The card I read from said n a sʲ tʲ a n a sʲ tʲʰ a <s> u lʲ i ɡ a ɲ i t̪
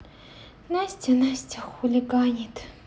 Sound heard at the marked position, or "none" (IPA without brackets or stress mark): x